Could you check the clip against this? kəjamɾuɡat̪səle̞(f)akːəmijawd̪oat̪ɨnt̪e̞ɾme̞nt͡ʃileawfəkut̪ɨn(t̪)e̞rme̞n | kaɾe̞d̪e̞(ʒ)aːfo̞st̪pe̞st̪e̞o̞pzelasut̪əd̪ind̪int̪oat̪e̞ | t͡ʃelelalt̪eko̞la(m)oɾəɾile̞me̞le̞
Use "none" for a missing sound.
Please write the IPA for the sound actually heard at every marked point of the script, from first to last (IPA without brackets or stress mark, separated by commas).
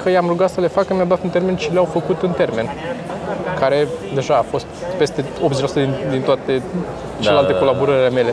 f, t̪, ʒ, b